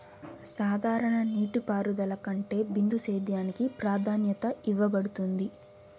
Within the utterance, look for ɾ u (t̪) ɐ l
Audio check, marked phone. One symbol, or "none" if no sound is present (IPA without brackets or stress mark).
d̪